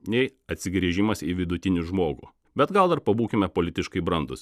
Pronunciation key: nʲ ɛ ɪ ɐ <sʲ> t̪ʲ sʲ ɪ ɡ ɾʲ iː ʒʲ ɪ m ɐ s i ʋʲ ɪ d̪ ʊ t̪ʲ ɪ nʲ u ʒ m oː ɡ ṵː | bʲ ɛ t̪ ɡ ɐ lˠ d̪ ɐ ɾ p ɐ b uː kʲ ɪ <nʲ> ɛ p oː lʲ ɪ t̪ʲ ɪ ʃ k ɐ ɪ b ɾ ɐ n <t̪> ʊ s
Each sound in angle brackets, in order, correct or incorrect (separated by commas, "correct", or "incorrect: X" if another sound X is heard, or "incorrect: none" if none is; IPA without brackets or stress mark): incorrect: none, incorrect: mʲ, incorrect: d̪